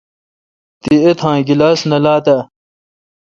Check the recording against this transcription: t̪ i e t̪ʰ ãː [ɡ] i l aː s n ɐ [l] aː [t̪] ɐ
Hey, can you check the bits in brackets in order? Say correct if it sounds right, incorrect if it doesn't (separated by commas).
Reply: correct, correct, correct